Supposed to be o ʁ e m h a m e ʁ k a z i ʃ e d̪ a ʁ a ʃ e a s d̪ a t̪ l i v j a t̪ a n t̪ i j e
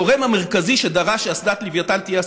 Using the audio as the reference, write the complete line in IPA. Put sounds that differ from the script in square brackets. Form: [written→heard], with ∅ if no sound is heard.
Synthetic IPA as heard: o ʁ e m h a m e ʁ k a z i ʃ e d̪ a ʁ a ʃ e a s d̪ a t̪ l i v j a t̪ a n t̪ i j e